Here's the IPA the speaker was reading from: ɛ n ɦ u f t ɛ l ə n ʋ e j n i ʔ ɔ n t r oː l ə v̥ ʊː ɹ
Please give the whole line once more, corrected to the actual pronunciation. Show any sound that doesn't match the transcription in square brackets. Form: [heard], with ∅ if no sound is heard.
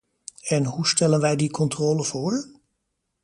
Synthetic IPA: ɛ n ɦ u [s] t ɛ l ə n ʋ [ɛ] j [d] i [k] ɔ n t r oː l ə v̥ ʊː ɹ